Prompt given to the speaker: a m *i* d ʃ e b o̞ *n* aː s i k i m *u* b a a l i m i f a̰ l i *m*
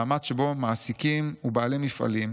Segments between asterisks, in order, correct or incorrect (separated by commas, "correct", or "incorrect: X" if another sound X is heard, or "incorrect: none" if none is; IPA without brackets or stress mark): incorrect: a, incorrect: m, correct, correct